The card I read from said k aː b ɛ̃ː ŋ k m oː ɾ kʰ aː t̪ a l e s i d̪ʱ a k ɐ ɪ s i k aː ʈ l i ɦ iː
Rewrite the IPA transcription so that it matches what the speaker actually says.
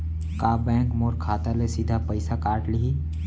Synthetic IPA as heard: k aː b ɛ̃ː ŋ k m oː ɾ kʰ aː t̪ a l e s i d̪ʱ a p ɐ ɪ s a k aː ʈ l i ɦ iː